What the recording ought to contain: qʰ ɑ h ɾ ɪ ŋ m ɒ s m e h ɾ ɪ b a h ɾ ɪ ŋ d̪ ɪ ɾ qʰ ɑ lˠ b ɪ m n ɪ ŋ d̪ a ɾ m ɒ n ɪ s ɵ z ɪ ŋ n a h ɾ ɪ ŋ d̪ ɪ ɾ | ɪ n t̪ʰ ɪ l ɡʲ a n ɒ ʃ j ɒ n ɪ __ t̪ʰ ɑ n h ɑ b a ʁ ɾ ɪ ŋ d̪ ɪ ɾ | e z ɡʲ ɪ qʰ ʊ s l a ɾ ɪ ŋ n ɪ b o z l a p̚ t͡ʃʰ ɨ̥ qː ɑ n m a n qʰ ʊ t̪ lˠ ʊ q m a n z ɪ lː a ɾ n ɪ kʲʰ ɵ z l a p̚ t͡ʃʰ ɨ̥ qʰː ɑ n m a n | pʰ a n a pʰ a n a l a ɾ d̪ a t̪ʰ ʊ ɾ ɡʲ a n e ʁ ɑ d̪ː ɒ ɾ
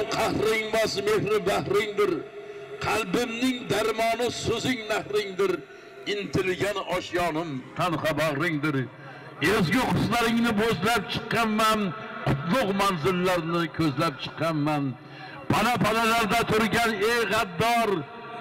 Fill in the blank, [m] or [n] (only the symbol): m